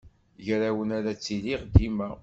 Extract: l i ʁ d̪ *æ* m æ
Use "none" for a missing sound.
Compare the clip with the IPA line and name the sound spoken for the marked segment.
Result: i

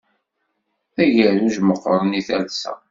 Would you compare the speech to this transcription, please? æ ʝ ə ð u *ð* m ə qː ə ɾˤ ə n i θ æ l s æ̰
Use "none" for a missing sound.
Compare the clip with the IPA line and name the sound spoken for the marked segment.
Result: ʒ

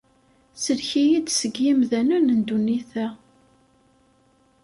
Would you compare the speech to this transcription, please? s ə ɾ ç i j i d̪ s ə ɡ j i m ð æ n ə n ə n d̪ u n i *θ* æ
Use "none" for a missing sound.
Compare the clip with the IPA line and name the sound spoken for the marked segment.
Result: θ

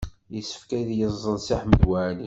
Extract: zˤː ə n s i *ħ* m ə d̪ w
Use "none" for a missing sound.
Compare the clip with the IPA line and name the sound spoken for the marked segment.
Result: ħ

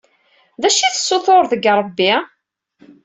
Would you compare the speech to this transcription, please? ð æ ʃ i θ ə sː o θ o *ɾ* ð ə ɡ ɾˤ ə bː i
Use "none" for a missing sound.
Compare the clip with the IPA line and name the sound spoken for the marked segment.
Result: ɾ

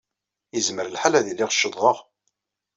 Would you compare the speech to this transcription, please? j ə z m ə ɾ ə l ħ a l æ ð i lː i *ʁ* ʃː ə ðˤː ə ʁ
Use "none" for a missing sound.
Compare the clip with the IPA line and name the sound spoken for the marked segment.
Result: ʁ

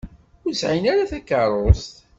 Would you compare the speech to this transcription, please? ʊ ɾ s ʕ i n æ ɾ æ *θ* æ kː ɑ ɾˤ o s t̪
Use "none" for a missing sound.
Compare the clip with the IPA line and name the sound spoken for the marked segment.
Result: θ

